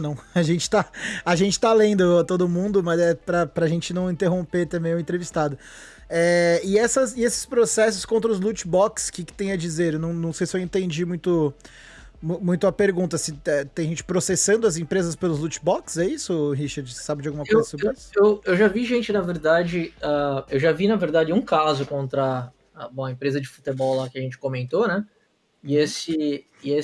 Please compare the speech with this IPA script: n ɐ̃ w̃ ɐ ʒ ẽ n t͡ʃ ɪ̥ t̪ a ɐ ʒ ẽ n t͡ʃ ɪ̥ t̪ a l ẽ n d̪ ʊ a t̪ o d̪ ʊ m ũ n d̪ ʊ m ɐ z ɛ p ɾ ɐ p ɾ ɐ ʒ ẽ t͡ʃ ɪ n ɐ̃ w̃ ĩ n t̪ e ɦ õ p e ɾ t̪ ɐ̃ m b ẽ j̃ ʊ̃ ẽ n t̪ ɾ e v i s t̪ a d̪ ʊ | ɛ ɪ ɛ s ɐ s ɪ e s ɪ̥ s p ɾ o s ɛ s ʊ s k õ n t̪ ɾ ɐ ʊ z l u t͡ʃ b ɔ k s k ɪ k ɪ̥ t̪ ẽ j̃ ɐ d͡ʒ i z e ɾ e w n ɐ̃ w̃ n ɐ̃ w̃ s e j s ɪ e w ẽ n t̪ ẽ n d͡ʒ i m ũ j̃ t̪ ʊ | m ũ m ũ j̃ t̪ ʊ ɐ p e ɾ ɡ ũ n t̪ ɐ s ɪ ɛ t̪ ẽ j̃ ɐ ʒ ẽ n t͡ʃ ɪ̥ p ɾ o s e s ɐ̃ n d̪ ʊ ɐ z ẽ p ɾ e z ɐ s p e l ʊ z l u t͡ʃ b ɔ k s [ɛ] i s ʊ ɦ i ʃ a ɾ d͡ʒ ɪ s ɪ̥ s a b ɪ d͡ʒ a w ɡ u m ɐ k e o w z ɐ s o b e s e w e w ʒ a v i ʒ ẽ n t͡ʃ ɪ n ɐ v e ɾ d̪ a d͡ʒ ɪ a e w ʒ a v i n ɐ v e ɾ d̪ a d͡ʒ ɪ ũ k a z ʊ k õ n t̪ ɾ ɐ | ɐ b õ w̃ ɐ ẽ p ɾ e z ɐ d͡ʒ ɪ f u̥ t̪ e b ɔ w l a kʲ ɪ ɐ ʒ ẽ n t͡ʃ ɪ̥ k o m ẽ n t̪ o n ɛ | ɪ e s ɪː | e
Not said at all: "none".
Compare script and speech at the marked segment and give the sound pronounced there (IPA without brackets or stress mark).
ɛ